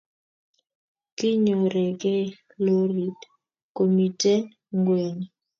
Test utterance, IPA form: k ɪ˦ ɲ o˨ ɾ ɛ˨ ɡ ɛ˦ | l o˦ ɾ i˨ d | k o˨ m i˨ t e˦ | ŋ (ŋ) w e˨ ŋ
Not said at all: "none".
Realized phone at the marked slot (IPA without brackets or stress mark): ɡ